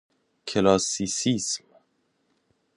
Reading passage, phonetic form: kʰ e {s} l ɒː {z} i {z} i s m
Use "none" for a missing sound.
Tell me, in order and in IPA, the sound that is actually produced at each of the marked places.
none, s, s

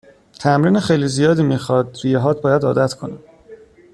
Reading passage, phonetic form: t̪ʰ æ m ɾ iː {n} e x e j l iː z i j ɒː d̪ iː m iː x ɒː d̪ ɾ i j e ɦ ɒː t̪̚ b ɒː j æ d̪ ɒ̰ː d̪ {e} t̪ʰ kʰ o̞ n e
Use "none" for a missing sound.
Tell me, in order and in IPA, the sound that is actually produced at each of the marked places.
n, æ

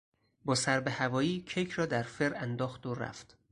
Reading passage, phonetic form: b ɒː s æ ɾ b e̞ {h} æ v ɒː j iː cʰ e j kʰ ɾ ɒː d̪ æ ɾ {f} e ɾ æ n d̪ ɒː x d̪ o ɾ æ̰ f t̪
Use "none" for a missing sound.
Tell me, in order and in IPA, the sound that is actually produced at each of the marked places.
h, f

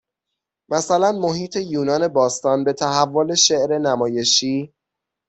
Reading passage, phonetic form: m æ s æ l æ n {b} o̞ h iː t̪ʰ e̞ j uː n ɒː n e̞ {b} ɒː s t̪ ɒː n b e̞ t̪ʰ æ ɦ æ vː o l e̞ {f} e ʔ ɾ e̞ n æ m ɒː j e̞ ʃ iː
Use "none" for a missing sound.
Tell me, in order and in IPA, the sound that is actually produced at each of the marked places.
m, b, ʃ

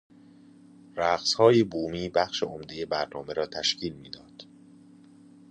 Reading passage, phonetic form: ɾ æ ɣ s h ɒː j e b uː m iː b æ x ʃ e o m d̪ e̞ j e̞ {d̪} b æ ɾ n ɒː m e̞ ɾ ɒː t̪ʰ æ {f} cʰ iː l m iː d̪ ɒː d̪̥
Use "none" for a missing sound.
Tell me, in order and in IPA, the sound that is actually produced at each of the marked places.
none, ʃ

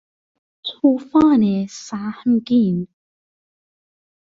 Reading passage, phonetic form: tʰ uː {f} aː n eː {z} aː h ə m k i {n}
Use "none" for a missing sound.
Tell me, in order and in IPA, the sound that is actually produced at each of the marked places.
f, s, n

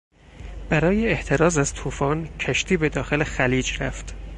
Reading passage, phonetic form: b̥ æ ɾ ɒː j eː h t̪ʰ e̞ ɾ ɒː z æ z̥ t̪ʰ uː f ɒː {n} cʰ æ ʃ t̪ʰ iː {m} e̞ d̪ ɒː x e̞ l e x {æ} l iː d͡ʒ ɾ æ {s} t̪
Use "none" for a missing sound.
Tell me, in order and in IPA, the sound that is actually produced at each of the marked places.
n, b, æ, f

